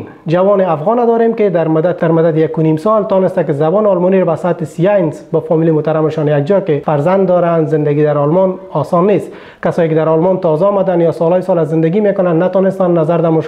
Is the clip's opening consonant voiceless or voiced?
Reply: voiced